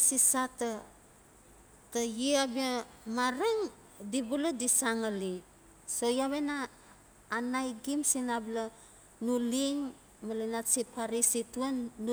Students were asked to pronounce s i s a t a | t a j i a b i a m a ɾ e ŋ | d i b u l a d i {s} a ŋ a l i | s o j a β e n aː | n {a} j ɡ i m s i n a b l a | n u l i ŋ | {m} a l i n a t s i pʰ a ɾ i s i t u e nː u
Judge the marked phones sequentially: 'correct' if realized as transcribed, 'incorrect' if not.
correct, correct, correct

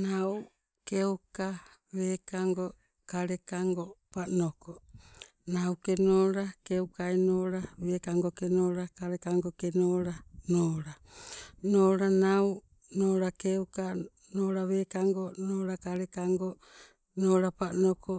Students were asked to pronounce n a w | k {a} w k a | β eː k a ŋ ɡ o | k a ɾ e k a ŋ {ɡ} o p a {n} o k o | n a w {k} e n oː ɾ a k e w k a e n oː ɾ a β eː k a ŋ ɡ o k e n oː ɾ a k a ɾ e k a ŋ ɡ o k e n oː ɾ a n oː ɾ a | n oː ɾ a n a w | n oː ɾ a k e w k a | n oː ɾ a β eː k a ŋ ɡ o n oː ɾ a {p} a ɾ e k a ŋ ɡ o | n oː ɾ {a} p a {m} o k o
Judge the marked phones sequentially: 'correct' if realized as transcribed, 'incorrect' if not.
incorrect: e, correct, correct, correct, incorrect: k, correct, incorrect: n

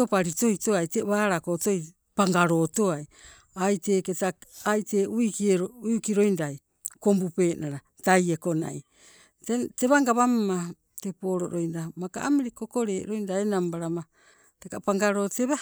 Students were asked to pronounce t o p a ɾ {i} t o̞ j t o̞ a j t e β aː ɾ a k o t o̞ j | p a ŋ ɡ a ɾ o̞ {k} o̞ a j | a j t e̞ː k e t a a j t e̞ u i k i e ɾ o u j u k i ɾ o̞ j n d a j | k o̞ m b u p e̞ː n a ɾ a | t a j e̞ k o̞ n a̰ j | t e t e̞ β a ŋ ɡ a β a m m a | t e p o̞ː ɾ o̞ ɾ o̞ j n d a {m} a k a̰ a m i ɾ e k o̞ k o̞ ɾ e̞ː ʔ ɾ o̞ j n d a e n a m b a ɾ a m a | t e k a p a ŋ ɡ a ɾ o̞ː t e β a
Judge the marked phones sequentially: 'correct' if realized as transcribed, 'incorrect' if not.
correct, incorrect: t, correct

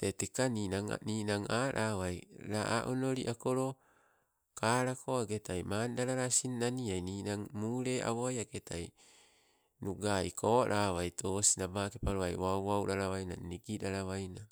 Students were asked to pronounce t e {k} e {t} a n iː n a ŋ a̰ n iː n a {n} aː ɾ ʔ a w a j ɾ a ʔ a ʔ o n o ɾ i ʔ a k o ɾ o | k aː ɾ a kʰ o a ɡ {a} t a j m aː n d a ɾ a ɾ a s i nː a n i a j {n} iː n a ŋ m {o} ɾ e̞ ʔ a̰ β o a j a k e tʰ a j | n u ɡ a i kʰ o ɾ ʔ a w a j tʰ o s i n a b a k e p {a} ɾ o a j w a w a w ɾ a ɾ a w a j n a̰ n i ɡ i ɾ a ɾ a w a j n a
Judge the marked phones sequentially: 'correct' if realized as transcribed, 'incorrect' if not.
incorrect: t, incorrect: k, incorrect: ŋ, incorrect: e, correct, incorrect: u, correct

